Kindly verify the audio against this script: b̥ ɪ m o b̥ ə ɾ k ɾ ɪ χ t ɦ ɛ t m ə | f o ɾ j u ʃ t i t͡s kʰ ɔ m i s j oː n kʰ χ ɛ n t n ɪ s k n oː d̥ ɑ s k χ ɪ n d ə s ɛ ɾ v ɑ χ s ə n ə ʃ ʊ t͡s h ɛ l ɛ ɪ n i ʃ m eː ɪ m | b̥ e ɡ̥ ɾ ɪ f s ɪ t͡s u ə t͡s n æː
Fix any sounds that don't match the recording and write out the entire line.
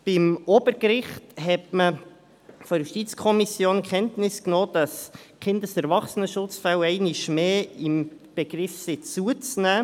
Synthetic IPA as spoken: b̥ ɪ m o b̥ ə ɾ k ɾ ɪ χ t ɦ ɛ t m ə | f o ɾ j u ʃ t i t͡s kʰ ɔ m i s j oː n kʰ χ ɛ n t n ɪ s k n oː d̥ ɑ s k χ ɪ n d ə s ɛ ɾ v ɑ χ s ə n ə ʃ ʊ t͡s f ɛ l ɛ ɪ n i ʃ m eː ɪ m | b̥ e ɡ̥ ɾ ɪ f s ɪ t͡s u ə t͡s n æː